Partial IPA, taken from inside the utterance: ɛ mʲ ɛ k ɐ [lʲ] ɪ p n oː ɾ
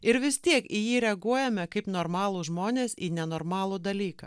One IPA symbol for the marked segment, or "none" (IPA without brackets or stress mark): none